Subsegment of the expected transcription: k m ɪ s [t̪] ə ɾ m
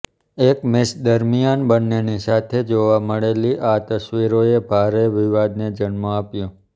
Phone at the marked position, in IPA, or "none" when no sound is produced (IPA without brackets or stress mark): d̪